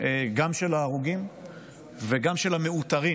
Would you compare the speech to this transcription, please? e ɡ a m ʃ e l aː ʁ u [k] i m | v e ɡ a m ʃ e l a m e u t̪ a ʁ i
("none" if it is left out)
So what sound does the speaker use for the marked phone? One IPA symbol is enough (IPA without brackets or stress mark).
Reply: ɡ